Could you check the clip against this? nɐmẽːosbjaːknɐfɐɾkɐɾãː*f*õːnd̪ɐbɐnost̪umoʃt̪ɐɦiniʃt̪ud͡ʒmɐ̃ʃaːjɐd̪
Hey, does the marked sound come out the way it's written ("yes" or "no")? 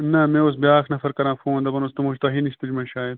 yes